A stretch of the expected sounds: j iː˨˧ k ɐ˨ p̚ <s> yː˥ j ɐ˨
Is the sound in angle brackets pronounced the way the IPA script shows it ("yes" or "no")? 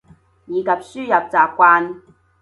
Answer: yes